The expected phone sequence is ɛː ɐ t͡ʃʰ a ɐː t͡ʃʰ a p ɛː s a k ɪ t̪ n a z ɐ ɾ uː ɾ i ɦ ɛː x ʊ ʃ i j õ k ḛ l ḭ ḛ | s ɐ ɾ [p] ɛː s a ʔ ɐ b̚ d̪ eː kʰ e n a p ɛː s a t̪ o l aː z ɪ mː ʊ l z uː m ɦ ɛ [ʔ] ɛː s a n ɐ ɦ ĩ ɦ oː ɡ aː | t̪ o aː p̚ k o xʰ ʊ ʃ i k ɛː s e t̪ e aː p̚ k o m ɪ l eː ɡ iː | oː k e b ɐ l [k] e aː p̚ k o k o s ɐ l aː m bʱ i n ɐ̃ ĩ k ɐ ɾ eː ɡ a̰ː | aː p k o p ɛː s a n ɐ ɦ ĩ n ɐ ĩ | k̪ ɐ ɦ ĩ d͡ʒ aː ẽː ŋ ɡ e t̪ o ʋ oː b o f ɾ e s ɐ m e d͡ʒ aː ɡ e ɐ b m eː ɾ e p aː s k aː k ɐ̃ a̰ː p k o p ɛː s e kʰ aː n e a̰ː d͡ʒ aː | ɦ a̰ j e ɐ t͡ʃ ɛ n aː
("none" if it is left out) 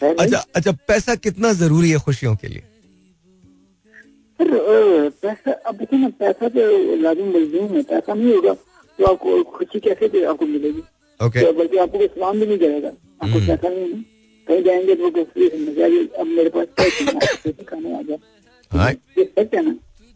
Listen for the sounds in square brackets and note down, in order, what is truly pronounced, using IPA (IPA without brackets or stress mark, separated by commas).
p, p, k